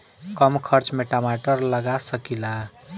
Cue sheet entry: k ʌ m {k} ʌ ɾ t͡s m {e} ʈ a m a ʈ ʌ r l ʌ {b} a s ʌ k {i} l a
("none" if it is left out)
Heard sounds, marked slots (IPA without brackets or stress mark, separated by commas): kʰ, e, ɡ, i